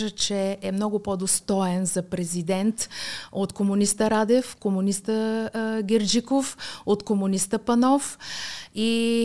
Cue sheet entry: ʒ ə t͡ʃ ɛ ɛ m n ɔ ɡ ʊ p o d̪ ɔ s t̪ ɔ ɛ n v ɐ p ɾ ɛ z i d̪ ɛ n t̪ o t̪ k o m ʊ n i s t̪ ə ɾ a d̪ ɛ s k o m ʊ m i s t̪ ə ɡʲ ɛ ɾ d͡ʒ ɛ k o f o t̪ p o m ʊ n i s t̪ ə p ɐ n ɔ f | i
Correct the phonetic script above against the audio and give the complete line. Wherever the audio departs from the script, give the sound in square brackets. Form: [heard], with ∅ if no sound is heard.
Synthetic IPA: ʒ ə t͡ʃ ɛ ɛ m n ɔ ɡ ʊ p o d̪ [o] s t̪ ɔ ɛ n [z] ɐ p ɾ ɛ z i d̪ ɛ n t̪ o t̪ k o m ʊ n i s t̪ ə ɾ a d̪ ɛ [f] k o m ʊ [n] i s t̪ ə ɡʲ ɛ ɾ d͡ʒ [i] k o f o t̪ [k] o m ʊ n i s t̪ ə p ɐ n ɔ f | i